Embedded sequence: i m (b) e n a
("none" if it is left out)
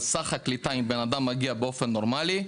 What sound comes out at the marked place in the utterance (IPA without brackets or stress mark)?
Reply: b